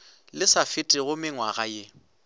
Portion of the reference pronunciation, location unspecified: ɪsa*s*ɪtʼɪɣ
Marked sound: incorrect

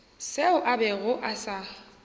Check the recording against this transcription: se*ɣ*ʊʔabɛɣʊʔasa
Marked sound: incorrect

